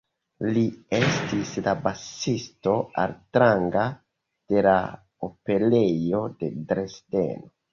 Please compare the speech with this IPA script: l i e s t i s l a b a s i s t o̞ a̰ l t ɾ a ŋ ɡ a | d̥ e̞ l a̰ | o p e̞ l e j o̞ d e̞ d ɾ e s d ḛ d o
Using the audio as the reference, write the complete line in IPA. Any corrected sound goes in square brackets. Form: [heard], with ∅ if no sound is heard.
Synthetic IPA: l i e s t i s l a b a s i s t o̞ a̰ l t ɾ a ŋ ɡ a | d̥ e̞ l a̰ | o p e̞ l e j o̞ d e̞ d ɾ e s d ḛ [n] o